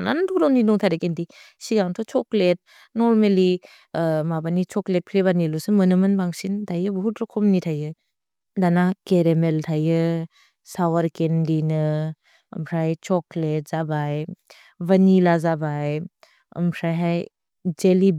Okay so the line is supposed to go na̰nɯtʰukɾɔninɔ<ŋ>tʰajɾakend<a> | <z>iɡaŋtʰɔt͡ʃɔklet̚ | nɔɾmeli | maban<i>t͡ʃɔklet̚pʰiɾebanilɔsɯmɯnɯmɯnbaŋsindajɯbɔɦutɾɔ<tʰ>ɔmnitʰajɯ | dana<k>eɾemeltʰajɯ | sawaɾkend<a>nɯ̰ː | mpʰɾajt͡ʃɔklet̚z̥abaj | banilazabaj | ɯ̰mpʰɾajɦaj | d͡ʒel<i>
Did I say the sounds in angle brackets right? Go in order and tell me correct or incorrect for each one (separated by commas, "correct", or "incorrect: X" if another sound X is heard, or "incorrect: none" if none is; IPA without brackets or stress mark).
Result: correct, incorrect: i, incorrect: s, correct, incorrect: kʰ, correct, incorrect: i, correct